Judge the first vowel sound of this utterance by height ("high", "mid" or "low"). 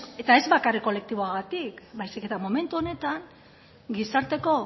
mid